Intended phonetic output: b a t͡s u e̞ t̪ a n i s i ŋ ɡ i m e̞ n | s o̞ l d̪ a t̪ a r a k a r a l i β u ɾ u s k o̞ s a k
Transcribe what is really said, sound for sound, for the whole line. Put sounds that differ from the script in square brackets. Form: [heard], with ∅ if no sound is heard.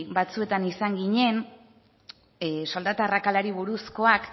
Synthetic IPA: b a t͡s u e̞ t̪ a n i s [a] ŋ ɡ i [ɲ] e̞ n | s o̞ l d̪ a t̪ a r a k a [l] a [ɾ] i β u ɾ u s k o̞ [∅] a k